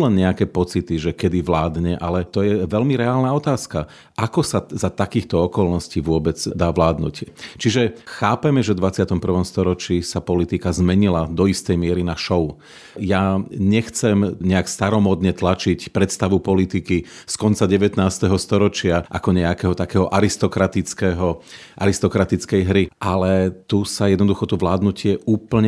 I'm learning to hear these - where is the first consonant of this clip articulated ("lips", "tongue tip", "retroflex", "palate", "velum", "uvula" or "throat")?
tongue tip